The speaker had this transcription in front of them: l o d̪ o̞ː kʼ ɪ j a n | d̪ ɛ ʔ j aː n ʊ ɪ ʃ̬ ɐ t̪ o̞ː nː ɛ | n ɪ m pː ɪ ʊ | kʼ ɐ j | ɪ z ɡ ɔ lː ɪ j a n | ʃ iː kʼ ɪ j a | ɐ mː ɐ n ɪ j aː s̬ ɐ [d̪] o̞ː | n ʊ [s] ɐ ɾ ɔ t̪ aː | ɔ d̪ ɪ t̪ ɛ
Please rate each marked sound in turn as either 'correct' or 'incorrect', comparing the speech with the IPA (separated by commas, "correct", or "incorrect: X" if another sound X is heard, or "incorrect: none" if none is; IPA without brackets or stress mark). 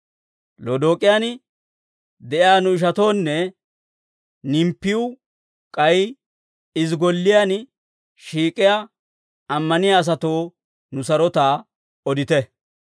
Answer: incorrect: t̪, correct